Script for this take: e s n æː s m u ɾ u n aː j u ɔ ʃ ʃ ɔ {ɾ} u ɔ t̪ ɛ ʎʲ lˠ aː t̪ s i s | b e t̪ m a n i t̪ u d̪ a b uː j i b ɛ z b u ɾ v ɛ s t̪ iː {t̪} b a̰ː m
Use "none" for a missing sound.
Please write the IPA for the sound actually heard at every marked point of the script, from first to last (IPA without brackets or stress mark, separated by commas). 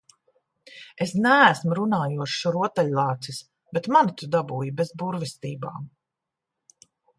ɾ, none